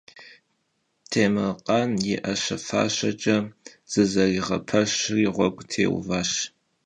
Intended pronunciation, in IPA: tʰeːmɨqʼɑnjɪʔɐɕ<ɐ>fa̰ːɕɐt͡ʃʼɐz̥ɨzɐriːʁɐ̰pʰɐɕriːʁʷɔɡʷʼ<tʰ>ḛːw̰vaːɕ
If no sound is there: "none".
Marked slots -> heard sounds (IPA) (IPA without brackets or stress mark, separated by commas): ɐ, tʰ